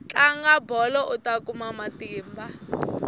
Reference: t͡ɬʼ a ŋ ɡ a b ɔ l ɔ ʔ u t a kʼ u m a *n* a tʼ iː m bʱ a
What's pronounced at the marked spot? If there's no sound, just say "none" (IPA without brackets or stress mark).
m